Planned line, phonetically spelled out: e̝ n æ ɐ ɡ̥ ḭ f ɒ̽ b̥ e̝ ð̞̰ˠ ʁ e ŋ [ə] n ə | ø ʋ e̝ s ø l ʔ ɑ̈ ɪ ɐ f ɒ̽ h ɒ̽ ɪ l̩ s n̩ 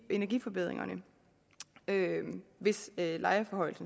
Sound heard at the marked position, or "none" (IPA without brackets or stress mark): ɐ